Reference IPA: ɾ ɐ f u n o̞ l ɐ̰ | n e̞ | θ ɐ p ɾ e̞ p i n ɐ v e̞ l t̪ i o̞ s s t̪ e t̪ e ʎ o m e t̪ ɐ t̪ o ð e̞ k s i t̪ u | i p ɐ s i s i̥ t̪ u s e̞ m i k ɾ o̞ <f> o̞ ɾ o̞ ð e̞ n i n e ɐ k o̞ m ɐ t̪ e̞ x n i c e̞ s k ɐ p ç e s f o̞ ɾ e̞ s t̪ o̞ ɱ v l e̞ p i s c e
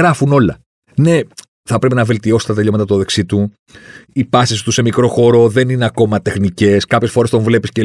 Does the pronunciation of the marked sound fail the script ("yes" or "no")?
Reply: yes